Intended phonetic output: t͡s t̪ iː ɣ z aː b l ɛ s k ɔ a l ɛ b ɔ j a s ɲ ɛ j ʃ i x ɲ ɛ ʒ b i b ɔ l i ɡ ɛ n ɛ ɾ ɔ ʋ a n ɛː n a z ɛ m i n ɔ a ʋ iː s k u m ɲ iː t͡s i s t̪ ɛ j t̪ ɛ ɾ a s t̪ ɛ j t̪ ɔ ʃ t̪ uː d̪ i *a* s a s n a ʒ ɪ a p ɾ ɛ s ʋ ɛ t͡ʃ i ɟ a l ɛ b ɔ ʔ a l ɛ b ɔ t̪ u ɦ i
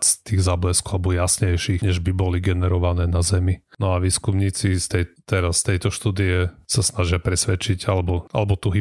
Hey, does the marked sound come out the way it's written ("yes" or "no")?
no